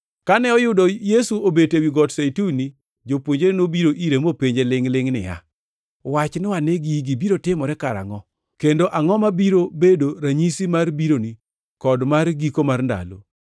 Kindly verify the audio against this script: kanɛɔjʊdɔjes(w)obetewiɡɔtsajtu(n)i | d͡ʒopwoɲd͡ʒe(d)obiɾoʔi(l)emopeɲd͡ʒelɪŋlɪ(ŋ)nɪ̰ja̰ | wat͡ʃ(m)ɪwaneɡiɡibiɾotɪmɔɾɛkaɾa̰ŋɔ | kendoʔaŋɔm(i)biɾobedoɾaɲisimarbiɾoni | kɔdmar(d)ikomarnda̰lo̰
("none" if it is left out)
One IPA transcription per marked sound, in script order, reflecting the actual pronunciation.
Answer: u, n, n, ɾ, ŋ, n, a, ɡ

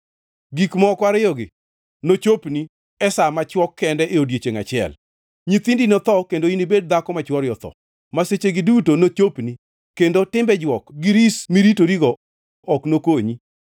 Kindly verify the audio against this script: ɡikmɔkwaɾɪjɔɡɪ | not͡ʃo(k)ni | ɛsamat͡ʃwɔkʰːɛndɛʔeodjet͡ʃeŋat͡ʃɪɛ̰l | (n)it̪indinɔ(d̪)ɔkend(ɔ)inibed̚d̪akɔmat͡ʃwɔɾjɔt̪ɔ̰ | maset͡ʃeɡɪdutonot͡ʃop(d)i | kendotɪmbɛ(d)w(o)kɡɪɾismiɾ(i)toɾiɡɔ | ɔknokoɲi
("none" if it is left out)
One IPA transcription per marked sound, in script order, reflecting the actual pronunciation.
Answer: p, ɲ, t̪, o, n, d͡ʒ, ɔ, i

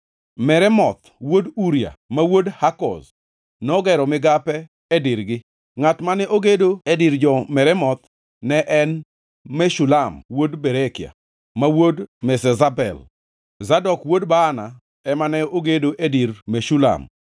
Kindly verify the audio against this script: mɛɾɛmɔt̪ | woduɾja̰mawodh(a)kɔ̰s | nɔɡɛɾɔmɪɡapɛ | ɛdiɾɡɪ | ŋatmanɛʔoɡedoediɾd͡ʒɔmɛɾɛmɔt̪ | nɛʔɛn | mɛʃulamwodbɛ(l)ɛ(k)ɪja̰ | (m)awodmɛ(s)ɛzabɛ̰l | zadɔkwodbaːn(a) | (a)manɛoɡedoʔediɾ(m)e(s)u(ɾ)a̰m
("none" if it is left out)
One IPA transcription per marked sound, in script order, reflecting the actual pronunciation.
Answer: a, ɾ, k, m, s, a, ɛ, m, ʃ, l

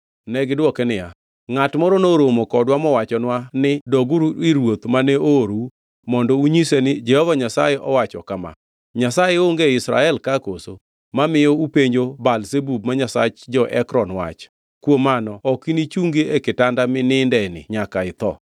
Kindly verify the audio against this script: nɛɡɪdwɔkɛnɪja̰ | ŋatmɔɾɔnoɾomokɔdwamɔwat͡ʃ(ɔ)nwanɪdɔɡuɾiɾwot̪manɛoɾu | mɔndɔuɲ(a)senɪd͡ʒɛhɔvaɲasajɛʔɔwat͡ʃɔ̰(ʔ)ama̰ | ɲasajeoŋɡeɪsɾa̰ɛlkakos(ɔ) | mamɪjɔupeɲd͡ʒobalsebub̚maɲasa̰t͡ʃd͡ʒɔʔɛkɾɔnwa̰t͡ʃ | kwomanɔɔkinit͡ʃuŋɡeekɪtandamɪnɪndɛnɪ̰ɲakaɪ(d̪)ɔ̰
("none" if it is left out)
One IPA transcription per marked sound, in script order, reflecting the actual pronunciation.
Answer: ɔ, i, k, o, t̪

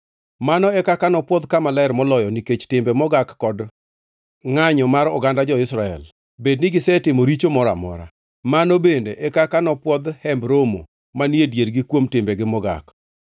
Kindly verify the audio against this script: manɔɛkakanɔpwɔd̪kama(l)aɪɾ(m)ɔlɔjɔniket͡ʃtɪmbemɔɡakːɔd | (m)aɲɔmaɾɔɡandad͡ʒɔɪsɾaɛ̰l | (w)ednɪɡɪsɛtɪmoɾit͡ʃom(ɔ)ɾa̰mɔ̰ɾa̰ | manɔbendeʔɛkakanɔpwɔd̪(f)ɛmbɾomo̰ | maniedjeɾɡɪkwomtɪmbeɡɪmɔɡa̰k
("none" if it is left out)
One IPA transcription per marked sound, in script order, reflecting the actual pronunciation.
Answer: l, m, ŋ, b, ɔ, h

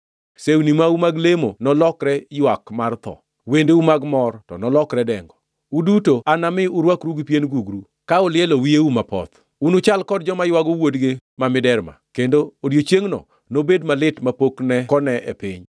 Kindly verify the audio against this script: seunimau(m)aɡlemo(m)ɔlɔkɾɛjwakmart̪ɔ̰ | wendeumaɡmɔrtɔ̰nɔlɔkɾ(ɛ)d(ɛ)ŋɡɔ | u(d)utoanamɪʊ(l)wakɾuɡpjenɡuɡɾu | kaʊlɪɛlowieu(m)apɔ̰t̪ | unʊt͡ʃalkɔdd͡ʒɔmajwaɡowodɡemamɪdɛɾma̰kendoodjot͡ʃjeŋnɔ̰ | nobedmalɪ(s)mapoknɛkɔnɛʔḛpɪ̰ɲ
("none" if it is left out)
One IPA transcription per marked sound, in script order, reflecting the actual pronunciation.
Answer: m, n, ɛ, ɛ, d, ɾ, m, t

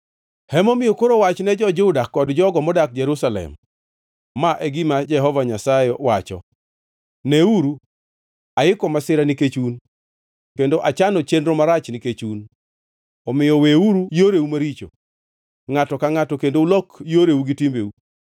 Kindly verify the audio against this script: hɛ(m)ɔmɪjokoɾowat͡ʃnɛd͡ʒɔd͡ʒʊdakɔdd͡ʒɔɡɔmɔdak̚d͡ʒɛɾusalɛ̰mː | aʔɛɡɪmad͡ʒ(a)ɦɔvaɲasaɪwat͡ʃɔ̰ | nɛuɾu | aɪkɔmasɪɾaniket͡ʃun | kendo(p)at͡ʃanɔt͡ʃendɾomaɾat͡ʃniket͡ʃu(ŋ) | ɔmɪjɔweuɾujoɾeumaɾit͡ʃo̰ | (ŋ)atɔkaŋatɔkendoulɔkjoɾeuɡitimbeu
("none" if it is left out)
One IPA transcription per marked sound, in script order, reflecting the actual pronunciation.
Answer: m, ɛ, ʔ, n, ŋ

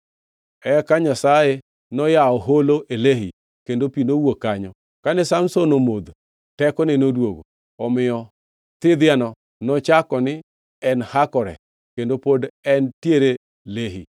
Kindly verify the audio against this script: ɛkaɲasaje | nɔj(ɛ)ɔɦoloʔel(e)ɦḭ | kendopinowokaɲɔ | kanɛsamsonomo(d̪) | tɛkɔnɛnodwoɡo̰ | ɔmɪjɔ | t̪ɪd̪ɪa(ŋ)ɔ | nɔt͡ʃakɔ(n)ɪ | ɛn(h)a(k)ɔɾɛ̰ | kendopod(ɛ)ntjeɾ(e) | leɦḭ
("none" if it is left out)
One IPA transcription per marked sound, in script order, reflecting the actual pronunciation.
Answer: a, e, d̪, n, n, h, k, ɛ, e

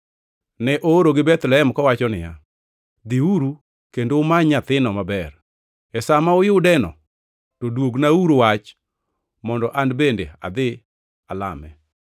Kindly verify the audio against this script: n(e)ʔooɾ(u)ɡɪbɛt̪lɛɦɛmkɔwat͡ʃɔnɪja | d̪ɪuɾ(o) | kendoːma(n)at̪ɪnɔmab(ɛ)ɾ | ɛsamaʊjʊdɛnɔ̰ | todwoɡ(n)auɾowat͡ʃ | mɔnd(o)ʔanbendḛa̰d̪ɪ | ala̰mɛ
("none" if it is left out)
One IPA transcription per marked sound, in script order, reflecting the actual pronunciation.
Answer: ɛ, o, u, ɲ, ɛ, n, ɔ

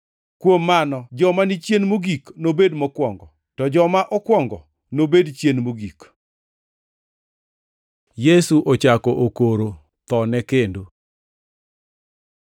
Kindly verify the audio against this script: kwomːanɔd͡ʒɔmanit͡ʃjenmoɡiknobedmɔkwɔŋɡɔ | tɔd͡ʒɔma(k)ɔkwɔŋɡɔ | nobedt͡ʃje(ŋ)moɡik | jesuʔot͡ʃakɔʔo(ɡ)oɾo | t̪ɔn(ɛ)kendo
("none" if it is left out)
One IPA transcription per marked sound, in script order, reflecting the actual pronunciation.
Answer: ʔ, n, k, ɛ

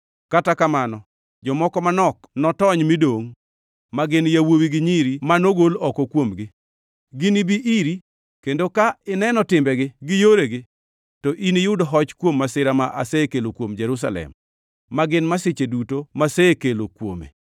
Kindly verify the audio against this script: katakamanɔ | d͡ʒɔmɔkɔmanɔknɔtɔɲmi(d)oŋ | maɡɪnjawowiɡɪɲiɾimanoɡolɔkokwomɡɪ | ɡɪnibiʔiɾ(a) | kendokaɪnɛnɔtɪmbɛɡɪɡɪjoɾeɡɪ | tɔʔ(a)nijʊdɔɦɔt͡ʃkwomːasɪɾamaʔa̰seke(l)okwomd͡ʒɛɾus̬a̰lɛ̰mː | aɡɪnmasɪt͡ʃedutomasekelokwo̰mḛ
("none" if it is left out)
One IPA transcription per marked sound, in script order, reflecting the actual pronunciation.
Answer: d, i, i, l

